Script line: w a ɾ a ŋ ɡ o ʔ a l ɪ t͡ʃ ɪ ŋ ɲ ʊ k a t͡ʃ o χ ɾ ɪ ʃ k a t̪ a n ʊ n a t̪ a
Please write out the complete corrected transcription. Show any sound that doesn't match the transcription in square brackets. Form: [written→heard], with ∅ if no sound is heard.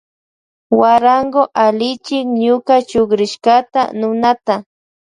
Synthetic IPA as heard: w a ɾ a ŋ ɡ o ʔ a l ɪ t͡ʃ ɪ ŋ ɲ ʊ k a t͡ʃ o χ ɾ ɪ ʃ k a t̪ a n ʊ n a t̪ a

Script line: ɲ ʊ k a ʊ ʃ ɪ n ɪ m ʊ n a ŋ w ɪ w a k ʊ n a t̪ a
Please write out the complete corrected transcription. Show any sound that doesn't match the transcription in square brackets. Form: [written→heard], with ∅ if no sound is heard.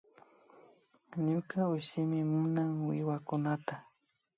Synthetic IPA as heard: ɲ ʊ k a ʊ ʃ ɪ [n→m] ɪ m ʊ n a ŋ w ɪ w a k ʊ n a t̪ a

